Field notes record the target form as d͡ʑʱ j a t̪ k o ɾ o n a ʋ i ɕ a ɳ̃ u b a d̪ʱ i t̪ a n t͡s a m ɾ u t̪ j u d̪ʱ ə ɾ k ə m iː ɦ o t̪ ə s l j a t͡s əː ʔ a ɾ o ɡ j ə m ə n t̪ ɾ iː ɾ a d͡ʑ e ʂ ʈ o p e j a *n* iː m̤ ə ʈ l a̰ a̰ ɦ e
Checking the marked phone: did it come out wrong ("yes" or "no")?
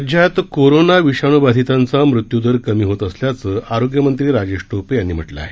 yes